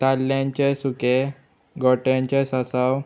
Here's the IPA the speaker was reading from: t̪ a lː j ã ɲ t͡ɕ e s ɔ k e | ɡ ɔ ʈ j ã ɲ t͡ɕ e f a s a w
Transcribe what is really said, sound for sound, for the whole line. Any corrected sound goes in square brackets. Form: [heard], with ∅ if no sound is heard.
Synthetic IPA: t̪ a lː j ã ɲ t͡ɕ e s [u] k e | ɡ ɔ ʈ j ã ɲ t͡ɕ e [s] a s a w